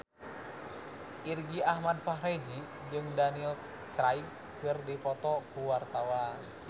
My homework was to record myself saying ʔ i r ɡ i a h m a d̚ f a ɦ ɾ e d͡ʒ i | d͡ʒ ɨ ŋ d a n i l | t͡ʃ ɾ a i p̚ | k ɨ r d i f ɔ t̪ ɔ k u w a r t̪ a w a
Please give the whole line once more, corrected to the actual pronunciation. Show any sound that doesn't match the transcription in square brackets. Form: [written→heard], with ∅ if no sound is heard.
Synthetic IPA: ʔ i r ɡ i a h m a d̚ f a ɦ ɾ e d͡ʒ i | d͡ʒ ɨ ŋ d a n i l | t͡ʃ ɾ a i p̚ | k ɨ r d i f ɔ t̪ ɔ k u w a r t̪ a w a